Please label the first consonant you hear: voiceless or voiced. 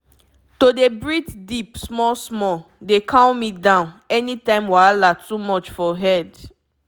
voiceless